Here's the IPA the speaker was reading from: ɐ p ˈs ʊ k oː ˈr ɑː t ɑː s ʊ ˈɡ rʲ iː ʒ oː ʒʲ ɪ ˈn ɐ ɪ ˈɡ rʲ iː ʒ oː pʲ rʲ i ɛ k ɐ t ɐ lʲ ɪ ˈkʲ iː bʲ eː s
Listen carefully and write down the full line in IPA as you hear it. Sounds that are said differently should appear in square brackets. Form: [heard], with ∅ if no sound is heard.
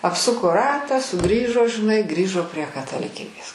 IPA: ɐ p ˈs ʊ k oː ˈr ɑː t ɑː s ʊ ˈɡ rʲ iː ʒ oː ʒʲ ɪ ˈn ɐ ɪ ˈɡ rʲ iː ʒ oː pʲ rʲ i ɛ k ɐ t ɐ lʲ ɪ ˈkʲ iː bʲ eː s